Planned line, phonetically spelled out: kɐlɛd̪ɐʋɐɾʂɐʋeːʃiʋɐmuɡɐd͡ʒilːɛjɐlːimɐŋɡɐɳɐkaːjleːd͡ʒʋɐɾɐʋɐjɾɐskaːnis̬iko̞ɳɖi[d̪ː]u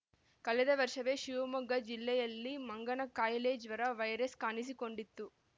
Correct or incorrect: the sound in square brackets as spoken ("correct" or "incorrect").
incorrect